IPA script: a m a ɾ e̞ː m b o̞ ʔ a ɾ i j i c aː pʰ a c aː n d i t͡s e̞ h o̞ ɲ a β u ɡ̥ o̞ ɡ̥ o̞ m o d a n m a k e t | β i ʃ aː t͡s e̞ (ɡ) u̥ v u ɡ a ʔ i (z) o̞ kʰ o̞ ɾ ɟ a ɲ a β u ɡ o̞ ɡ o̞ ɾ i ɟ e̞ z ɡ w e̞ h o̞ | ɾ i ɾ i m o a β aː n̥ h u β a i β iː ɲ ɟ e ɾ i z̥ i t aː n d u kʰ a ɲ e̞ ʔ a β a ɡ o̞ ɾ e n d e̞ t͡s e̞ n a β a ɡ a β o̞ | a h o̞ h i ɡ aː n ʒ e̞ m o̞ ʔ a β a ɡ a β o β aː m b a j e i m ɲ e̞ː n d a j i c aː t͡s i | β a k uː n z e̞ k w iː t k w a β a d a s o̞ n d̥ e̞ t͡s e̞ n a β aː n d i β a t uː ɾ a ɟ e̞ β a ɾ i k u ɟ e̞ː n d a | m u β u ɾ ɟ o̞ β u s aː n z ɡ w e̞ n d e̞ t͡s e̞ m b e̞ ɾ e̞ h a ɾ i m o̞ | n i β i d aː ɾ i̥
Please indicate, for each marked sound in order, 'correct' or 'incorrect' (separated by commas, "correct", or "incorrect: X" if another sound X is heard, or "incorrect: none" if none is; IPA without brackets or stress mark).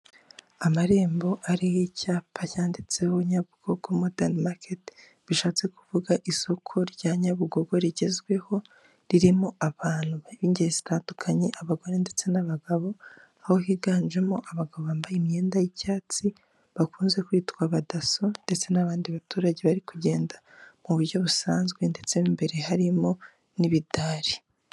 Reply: incorrect: k, incorrect: s